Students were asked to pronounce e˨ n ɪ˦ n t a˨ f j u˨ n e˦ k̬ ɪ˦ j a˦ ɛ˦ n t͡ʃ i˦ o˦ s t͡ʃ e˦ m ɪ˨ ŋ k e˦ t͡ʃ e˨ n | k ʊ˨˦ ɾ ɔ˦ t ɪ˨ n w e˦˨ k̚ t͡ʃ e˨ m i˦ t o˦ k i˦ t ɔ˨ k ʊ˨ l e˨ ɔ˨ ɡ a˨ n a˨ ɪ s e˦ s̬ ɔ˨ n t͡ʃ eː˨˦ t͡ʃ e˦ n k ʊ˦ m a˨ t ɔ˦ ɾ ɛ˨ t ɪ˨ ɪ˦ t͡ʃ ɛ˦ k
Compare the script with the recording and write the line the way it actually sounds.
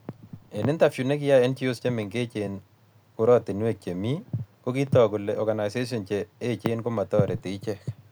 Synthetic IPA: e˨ n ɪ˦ n t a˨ f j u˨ n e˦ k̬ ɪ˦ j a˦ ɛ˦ n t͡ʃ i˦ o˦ s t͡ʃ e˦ m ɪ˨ ŋ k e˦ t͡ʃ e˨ n | k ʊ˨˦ ɾ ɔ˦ t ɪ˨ n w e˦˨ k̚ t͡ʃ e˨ m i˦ k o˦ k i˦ t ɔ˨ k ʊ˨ l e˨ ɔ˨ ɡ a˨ n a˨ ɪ s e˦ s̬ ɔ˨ n t͡ʃ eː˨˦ t͡ʃ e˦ n k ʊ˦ m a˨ t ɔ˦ ɾ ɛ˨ t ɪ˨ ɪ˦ t͡ʃ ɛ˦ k

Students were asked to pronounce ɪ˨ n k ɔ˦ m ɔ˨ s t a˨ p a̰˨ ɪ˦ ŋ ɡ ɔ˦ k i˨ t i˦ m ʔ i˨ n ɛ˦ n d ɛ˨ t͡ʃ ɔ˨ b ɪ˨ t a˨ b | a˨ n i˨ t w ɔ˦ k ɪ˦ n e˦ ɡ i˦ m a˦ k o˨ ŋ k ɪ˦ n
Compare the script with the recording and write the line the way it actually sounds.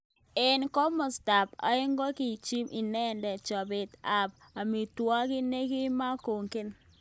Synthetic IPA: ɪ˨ n k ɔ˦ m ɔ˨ s t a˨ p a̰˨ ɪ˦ ŋ ɡ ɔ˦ k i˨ t͡ʃ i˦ m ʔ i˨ n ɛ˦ n d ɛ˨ t͡ʃ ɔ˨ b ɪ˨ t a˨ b | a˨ m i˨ t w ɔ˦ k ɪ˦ n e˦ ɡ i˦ m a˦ k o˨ ŋ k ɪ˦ n

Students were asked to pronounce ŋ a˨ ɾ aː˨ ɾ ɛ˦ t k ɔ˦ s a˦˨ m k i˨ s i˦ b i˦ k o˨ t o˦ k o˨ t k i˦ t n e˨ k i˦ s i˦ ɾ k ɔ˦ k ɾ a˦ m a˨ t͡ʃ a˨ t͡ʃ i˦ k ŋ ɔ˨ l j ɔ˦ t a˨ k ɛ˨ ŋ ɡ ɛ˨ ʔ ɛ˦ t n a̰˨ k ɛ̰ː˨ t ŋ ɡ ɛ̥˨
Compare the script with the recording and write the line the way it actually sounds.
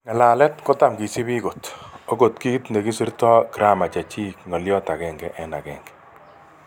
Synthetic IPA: ŋ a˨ l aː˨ l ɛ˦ t k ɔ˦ t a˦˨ m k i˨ s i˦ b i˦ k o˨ t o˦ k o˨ t k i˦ t n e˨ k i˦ s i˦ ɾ t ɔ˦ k ɾ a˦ m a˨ t͡ʃ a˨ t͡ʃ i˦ k ŋ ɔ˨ l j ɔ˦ t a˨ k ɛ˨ ŋ ɡ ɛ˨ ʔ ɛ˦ n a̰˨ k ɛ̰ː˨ ŋ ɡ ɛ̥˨

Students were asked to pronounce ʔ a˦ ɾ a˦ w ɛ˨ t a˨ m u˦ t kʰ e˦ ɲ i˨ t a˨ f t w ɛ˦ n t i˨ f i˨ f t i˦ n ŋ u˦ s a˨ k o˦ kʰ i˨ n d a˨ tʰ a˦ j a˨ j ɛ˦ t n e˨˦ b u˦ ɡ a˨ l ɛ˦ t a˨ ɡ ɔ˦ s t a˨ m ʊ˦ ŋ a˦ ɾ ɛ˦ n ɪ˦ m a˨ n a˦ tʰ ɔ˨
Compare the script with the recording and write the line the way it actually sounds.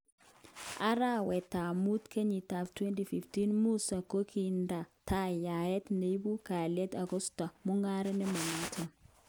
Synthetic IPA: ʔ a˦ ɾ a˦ w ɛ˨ t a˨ m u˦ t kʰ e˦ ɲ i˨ t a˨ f t w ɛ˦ n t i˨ f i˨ f t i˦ n m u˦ s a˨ k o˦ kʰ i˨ n d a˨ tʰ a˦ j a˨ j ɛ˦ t n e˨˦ b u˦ k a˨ l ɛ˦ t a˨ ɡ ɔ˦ s t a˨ m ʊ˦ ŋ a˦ ɾ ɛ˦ n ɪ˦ m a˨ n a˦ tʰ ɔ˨

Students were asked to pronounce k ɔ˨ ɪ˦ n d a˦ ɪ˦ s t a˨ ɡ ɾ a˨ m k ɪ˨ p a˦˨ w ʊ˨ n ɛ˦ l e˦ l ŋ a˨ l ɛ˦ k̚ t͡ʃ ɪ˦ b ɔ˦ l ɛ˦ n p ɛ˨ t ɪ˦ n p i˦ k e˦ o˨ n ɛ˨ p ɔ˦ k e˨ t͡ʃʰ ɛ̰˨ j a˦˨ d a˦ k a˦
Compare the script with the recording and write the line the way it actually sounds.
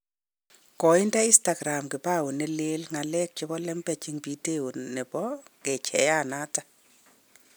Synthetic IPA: k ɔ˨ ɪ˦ n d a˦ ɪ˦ s t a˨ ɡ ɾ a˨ m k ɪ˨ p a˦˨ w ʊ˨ n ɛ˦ l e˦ l ŋ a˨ l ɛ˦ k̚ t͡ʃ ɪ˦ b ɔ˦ l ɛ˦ m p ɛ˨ t͡ʃ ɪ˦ ŋ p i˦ t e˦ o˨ n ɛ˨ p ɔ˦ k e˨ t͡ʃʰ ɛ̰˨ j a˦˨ n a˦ t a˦

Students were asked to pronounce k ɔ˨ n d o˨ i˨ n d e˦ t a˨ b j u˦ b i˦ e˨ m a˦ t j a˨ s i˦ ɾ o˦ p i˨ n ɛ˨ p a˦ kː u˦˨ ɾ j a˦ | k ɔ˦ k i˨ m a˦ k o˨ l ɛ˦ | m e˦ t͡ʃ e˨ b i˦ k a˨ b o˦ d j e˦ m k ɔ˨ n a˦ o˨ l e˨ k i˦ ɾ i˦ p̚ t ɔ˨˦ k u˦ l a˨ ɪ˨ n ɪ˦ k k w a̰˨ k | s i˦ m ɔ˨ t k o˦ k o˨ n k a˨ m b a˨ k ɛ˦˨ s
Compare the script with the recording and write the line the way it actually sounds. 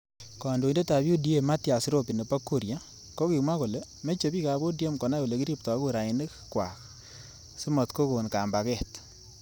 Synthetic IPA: k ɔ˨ n d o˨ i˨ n d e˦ t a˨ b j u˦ d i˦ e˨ m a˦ t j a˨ s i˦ ɾ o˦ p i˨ n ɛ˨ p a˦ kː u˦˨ ɾ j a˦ | k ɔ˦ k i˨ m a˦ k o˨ l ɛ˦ | m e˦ t͡ʃ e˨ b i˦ k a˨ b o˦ d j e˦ m k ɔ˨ n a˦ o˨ l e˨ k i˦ ɾ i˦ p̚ t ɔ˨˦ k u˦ ɾ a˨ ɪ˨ n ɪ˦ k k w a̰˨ k | s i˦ m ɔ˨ t k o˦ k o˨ n k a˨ m b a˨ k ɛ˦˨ t

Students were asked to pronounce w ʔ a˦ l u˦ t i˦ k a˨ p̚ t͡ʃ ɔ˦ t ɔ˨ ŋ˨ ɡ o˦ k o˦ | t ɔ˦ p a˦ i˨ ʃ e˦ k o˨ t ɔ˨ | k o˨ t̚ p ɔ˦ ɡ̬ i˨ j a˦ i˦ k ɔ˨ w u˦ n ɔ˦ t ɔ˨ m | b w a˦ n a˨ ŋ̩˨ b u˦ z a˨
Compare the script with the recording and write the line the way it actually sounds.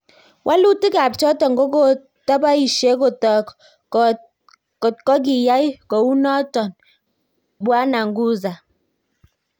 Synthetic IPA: w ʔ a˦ l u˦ t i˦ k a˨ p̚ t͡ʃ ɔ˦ t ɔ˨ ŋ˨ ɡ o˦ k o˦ | t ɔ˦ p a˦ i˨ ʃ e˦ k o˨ t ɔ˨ | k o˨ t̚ k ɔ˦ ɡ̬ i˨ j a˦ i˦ k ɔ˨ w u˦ n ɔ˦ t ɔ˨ n | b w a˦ n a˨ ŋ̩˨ ɡ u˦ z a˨

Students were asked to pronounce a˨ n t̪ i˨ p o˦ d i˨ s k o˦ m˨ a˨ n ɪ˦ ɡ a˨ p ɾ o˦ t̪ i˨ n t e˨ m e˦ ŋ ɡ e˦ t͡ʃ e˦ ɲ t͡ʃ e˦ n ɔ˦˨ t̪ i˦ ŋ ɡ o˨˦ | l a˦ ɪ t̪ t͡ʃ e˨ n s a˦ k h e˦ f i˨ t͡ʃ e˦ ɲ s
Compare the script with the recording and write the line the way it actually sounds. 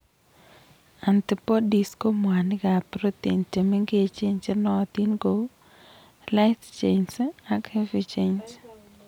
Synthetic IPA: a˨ n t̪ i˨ p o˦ d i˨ s k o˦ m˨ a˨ n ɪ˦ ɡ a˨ p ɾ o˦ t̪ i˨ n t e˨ m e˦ ŋ ɡ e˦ t͡ʃ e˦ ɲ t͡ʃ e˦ n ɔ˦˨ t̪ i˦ n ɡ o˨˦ | l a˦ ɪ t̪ t͡ʃ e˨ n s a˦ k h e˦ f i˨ t͡ʃ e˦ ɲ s

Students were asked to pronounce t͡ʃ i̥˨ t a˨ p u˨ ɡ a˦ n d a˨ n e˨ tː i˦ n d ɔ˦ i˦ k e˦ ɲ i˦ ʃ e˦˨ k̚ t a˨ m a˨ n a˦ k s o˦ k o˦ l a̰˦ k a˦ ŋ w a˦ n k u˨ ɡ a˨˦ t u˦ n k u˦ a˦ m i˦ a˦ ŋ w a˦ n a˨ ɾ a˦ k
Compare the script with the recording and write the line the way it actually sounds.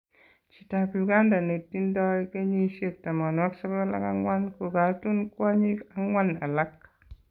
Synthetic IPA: t͡ʃ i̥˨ t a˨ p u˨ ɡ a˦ n d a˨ n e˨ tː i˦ n d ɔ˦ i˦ k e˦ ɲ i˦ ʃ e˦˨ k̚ t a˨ m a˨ n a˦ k s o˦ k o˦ l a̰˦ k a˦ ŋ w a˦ n k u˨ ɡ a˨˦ t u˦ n k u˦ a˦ ɲ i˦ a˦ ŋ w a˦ n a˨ l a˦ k

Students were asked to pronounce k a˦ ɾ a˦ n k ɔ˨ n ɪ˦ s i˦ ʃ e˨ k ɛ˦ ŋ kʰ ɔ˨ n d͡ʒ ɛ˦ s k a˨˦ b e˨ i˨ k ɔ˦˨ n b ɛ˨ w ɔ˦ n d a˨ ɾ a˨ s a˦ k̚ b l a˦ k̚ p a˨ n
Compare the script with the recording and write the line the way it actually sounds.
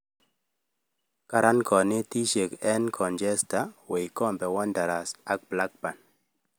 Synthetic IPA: k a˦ ɾ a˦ n k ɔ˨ n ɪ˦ t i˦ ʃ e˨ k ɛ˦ n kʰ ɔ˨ n d͡ʒ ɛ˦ s t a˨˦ w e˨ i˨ k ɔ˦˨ m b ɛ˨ w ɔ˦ n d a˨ ɾ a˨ s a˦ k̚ b l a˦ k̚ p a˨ n

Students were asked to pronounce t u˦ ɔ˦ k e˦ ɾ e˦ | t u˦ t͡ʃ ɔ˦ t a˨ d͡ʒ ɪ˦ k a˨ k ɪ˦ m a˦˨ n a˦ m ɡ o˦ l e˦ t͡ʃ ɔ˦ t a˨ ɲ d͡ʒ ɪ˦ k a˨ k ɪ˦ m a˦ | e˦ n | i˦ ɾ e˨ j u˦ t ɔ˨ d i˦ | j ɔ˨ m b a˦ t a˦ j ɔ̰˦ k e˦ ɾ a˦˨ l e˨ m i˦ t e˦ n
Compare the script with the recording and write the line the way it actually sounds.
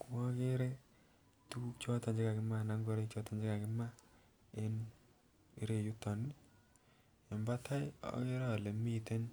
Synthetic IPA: k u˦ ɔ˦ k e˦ ɾ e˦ | t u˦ t͡ʃ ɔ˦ t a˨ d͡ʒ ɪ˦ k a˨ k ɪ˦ m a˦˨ n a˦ ŋ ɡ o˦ ɾ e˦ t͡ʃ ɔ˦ t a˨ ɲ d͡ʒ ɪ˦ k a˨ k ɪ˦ m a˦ | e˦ n | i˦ ɾ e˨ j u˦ t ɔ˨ n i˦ | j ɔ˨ m b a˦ t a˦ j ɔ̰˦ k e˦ ɾ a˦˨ l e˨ m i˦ t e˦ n

